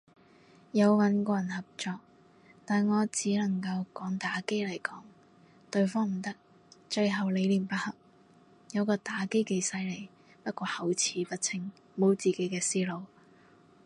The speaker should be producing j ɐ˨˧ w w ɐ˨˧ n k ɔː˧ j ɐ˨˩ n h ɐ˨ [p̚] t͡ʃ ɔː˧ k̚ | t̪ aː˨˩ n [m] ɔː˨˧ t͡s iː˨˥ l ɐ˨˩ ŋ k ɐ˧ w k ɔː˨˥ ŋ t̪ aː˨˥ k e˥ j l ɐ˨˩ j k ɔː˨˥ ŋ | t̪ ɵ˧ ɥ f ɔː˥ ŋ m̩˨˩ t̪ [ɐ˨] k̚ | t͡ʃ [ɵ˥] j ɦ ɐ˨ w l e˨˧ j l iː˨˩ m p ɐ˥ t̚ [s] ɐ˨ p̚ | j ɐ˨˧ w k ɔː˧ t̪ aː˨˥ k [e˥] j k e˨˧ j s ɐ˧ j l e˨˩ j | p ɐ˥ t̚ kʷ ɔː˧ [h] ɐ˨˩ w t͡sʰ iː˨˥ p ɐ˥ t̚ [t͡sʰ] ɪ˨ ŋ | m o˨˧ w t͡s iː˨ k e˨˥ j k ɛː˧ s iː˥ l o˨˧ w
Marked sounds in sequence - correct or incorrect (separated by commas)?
correct, incorrect, incorrect, incorrect, incorrect, correct, correct, correct